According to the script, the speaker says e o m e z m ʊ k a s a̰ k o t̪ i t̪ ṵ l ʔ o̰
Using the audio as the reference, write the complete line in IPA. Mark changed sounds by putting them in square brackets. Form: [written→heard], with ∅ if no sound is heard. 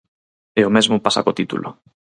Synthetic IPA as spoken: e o m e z m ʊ [k→p] a s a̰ k o t̪ i t̪ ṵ l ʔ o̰